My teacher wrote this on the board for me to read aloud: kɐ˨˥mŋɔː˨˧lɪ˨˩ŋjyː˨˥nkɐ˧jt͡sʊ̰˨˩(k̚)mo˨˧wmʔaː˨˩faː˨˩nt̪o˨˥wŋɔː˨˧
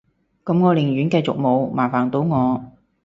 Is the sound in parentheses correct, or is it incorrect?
correct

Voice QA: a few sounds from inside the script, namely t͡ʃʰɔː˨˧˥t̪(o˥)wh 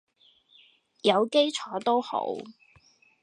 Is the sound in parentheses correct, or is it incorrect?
correct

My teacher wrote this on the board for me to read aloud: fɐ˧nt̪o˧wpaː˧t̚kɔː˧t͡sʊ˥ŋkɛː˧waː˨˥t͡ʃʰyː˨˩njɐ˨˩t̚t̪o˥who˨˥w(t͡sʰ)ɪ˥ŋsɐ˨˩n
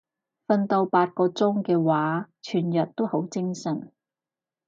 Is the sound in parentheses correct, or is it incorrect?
incorrect: t͡s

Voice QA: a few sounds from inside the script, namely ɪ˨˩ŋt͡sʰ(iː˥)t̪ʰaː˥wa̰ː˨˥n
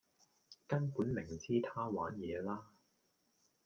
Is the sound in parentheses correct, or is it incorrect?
correct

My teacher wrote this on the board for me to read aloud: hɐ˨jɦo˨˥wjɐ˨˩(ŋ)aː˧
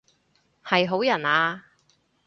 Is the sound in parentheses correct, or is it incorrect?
incorrect: n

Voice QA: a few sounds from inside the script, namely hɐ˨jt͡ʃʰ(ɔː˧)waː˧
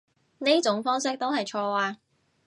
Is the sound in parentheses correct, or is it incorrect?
correct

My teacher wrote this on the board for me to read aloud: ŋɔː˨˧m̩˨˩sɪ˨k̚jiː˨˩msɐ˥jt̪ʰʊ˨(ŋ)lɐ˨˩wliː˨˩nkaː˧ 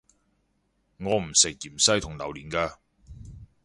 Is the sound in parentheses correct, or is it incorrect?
correct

